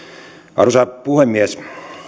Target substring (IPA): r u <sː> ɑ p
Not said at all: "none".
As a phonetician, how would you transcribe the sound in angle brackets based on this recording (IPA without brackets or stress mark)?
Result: s